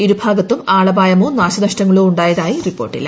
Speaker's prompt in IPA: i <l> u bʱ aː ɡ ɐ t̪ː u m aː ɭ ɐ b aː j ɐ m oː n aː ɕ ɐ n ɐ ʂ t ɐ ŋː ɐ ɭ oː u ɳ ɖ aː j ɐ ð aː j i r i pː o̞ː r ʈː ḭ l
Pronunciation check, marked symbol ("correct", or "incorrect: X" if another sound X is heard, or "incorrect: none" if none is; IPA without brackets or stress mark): incorrect: ɾ